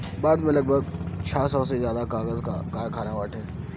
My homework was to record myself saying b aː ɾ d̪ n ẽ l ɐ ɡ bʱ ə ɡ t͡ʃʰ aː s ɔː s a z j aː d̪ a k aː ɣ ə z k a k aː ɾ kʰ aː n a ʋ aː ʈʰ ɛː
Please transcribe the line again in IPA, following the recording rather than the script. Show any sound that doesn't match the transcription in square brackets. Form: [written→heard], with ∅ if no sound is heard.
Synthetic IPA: b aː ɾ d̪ [n→m] ẽ l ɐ ɡ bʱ ə ɡ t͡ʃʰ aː s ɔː s [a→e] z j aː d̪ a k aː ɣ ə z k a k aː ɾ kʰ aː n a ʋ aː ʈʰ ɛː

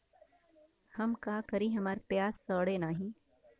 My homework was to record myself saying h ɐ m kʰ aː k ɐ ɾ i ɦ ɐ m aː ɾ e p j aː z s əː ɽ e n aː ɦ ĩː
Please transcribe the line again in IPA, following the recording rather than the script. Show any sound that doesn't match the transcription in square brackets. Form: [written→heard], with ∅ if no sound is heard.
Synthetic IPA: h ɐ m [kʰ→k] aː k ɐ ɾ i ɦ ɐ m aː ɾ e p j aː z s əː ɽ e n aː ɦ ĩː

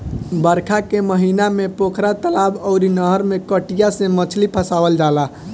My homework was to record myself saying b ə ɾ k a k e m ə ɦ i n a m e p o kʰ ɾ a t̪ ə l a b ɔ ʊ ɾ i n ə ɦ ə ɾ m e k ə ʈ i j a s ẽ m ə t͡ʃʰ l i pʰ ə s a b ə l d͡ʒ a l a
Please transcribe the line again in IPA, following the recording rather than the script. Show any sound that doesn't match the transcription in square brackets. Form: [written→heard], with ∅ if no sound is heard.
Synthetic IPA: b ə ɾ [k→kʰ] a k e m ə ɦ i n a m e p o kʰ ɾ a t̪ ə l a b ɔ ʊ ɾ i n ə ɦ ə ɾ m e k ə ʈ i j a s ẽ m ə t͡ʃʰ l i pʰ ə s a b ə l d͡ʒ a l a

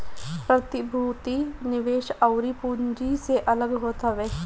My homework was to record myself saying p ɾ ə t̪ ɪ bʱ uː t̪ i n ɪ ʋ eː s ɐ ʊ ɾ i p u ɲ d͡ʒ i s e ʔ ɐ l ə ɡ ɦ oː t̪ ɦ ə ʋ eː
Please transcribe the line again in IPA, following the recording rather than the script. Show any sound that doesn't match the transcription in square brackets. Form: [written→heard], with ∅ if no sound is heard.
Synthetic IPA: p ɾ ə t̪ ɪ bʱ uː t̪ i n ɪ ʋ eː [s→ʃ] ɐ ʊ ɾ i p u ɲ d͡ʒ i s e ʔ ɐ l ə ɡ ɦ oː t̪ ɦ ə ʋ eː

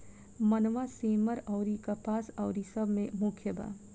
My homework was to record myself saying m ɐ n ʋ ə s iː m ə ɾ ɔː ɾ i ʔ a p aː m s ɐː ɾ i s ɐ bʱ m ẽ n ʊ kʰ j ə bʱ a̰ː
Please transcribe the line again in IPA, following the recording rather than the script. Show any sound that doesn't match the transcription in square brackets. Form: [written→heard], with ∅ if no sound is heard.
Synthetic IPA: m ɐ n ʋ [ə→a] s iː m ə ɾ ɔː ɾ i [ʔ→k] a p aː [m→∅] s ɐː ɾ i s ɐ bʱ m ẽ [n→m] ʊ kʰ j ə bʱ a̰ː

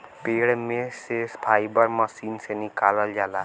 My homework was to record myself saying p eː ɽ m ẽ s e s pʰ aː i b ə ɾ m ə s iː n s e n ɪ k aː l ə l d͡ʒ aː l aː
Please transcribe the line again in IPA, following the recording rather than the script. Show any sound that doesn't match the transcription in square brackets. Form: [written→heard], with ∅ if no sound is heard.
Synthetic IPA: p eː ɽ m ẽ s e s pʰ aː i b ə ɾ m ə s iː n s e n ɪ k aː l ə l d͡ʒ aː l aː

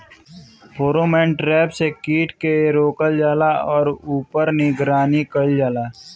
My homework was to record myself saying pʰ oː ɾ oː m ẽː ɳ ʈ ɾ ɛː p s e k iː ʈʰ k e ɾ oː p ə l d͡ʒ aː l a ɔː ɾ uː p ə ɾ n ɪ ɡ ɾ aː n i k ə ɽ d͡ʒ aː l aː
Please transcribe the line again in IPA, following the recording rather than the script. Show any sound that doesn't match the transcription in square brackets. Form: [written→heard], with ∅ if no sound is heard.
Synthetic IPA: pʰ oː ɾ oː m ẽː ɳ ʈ ɾ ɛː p s e k iː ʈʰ k e ɾ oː [p→k] ə l d͡ʒ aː l a ɔː ɾ uː p ə ɾ n ɪ ɡ ɾ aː n i k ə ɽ d͡ʒ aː l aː

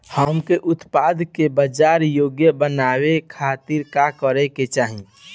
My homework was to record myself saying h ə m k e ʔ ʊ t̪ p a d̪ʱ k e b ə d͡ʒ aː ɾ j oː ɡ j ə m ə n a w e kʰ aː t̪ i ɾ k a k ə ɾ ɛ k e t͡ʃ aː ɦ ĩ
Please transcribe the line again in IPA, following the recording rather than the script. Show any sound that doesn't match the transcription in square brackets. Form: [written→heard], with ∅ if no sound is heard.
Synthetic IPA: h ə m k e ʔ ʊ t̪ p a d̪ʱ k e b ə d͡ʒ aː ɾ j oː ɡ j ə [m→b] ə n a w e kʰ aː t̪ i ɾ k a k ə ɾ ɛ k e t͡ʃ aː ɦ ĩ

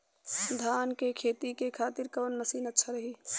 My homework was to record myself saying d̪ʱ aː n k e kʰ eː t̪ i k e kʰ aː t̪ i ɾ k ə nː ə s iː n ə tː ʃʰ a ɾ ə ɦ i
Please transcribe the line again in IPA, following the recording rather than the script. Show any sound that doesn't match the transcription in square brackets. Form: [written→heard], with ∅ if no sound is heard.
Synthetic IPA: d̪ʱ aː n k e kʰ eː t̪ i k e kʰ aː t̪ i ɾ k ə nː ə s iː n ə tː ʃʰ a ɾ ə ɦ i

